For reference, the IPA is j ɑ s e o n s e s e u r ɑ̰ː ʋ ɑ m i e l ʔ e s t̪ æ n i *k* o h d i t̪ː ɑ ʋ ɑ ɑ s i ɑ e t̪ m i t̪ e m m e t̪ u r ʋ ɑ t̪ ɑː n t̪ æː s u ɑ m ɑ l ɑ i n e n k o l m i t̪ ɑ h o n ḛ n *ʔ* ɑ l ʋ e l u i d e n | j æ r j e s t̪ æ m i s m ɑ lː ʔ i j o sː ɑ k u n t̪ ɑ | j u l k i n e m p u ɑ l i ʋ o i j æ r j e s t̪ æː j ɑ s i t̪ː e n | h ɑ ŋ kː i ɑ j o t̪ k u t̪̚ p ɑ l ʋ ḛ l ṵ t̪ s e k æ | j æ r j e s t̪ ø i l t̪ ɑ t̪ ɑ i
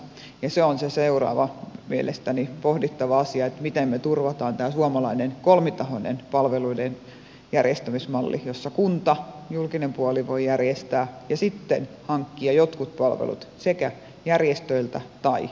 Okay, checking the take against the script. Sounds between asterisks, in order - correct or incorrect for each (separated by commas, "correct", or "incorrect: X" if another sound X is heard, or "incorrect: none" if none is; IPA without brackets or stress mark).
incorrect: p, incorrect: p